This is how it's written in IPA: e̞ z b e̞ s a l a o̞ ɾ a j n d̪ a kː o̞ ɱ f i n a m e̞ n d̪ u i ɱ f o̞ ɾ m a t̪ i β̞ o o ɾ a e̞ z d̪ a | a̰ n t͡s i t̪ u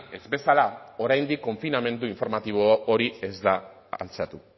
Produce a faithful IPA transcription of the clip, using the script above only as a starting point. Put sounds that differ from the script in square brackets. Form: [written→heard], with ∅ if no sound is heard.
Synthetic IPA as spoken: e̞ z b e̞ s a l a o̞ ɾ a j n d̪ [a→i] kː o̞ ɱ f i n a m e̞ n d̪ u i ɱ f o̞ ɾ m a t̪ i β̞ o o ɾ [a→i] e̞ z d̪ a | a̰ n t͡s [i→a] t̪ u